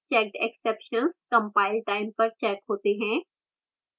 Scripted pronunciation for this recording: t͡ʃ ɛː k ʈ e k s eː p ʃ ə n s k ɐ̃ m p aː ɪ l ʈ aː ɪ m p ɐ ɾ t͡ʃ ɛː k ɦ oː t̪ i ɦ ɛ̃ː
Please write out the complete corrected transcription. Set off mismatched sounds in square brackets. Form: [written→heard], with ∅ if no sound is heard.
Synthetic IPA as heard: t͡ʃ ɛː k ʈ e k s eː p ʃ ə n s k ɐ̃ m p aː ɪ l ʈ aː ɪ m p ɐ ɾ t͡ʃ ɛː k ɦ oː t̪ [i→e] ɦ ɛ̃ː